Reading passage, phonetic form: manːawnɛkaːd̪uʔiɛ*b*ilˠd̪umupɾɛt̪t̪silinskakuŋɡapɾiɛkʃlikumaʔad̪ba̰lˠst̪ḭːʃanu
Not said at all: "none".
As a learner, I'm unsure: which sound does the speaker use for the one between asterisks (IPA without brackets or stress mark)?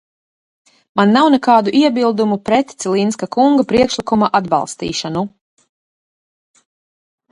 b